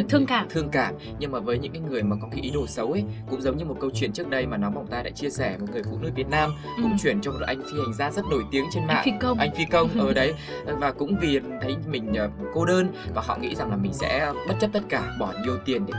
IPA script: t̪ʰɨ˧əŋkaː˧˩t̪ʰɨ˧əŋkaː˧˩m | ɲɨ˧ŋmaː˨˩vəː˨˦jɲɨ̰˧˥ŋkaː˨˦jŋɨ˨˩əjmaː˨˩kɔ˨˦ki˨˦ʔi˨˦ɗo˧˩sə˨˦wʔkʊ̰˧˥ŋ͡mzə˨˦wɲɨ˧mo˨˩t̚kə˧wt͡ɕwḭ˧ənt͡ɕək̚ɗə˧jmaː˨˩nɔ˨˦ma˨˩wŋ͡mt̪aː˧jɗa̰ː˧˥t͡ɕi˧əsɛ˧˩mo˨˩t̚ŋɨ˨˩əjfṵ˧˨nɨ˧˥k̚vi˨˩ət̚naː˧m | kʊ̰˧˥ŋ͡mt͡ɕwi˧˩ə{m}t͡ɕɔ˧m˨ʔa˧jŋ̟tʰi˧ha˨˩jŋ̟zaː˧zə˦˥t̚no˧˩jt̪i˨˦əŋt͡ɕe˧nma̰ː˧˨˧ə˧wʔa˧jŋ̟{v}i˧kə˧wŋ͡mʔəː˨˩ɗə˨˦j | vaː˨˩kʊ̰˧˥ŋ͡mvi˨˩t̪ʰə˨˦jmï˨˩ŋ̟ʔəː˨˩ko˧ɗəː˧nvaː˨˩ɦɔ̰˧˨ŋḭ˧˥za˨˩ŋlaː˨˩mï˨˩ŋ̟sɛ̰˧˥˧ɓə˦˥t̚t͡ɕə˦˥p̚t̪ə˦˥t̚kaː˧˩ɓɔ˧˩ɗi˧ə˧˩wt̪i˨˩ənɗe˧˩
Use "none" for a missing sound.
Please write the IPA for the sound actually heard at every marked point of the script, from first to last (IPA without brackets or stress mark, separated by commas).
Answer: n, f